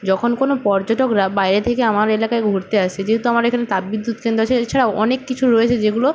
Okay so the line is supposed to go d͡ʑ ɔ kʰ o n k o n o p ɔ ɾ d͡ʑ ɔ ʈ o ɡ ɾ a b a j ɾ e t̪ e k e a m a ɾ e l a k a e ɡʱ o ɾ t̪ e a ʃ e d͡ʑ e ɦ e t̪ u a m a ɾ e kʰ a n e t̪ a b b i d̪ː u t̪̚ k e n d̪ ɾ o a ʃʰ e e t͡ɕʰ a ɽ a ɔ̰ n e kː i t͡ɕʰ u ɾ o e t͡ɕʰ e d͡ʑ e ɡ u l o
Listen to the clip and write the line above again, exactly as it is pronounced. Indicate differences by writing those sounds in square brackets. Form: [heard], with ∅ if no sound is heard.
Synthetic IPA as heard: d͡ʑ ɔ kʰ o n k o n o p ɔ ɾ d͡ʑ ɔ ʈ o [k] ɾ a b a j ɾ e [t̪ʰ] e k e a m a ɾ e l a k a e ɡʱ o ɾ t̪ e a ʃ e d͡ʑ e ɦ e t̪ u a m a ɾ e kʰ a n e t̪ a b b i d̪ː u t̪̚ k e n d̪ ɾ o a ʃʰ e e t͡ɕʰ a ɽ a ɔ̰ n e kː i t͡ɕʰ u ɾ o e t͡ɕʰ e d͡ʑ e ɡ u l o